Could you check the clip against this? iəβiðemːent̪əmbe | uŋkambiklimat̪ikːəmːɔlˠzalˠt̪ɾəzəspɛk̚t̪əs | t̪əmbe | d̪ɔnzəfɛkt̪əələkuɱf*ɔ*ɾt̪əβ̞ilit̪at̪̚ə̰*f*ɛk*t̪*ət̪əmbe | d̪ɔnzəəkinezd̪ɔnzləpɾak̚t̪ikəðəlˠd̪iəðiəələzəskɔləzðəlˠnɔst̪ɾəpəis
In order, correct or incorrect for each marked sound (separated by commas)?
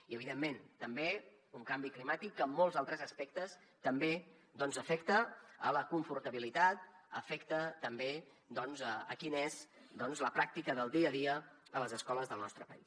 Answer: incorrect, correct, correct